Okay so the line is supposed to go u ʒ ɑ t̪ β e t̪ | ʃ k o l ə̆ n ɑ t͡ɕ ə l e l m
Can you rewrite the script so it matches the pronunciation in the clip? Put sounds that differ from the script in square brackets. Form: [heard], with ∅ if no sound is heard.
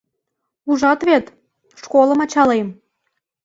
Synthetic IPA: u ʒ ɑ t̪ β e t̪ | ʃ k o l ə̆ [m] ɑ t͡ɕ [ɑ] l e [∅] m